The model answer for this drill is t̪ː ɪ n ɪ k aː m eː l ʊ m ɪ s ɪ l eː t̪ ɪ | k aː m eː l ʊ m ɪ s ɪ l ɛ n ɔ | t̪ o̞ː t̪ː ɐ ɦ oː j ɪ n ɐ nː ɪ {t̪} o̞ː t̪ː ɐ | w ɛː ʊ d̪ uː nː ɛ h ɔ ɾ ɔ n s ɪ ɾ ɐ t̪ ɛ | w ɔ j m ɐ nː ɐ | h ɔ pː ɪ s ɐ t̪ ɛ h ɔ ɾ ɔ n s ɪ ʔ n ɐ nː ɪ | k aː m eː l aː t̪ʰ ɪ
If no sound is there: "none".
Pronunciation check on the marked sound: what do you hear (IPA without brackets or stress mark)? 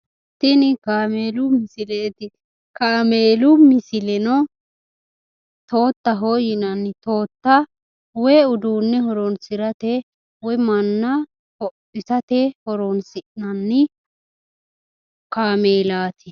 t̪